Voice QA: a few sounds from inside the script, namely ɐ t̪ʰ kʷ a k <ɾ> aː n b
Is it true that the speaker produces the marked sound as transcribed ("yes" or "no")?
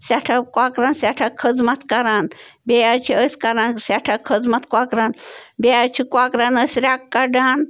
yes